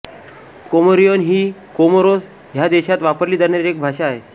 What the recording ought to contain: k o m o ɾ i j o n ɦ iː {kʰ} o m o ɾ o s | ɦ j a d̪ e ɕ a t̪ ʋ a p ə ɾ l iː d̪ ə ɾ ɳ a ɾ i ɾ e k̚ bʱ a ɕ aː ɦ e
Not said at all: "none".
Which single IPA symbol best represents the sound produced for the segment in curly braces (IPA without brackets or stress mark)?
k